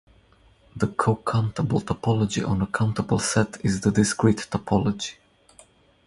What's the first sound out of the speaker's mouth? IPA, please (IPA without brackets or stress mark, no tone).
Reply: ð